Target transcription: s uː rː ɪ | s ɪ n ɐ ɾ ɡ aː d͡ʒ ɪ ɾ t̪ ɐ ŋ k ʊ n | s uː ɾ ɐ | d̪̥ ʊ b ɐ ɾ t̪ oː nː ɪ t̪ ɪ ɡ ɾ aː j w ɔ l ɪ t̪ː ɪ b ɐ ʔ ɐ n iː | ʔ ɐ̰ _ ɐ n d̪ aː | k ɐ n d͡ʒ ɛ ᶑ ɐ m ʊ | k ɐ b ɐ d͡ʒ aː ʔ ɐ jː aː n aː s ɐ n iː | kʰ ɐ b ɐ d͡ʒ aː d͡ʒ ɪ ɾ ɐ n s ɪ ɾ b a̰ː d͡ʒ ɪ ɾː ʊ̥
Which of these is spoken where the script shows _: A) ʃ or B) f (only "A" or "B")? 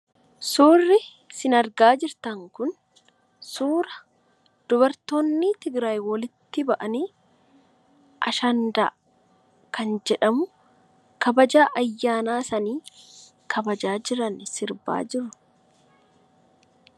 A